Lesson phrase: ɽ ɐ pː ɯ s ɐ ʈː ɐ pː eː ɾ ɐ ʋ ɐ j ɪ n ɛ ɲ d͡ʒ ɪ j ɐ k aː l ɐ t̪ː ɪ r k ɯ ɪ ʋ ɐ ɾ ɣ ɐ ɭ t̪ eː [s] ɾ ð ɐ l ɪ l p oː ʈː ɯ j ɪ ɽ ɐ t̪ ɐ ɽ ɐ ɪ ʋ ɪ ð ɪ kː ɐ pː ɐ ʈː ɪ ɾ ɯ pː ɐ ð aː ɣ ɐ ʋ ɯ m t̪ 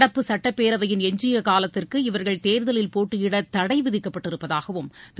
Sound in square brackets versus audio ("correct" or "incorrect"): incorrect